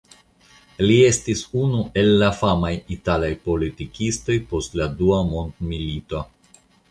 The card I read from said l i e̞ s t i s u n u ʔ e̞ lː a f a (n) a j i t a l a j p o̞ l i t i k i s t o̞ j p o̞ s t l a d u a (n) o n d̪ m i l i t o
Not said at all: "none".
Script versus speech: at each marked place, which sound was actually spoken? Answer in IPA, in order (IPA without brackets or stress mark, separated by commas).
m, m